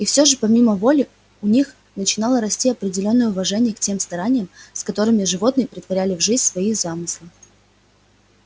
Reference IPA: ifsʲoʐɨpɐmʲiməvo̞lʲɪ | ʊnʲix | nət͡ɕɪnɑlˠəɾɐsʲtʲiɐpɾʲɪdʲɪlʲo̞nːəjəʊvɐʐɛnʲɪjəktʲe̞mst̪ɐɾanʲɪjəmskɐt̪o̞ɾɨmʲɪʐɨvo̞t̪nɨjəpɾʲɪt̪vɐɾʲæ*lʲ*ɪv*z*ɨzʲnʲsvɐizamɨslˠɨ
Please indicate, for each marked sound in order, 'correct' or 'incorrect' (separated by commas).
correct, incorrect